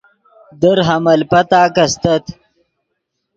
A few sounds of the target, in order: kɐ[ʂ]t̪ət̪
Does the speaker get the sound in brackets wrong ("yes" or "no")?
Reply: yes